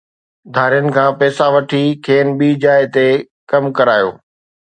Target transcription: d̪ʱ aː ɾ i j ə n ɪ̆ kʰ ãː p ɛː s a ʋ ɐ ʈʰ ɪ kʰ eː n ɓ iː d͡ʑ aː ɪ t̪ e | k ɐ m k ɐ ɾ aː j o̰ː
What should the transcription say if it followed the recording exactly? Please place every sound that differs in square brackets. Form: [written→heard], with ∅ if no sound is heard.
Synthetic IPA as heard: d̪ʱ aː ɾ i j ə n ɪ̆ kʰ ãː p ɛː s a ʋ ɐ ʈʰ [ɪ→i] kʰ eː n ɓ iː d͡ʑ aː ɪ t̪ e | k ɐ m k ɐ ɾ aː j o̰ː